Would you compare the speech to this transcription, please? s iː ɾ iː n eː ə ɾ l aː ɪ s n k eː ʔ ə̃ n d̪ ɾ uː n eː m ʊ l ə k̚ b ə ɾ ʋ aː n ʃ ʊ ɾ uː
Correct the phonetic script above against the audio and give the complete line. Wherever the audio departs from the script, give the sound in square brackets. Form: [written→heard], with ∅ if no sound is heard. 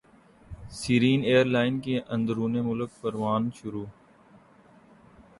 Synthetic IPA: s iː ɾ iː n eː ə ɾ l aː ɪ [s→∅] n k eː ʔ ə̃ n d̪ ɾ uː n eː m ʊ l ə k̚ [b→p] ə ɾ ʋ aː n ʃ ʊ ɾ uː